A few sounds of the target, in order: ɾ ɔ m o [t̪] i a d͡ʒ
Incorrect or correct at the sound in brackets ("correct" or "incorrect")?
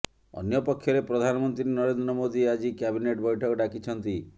incorrect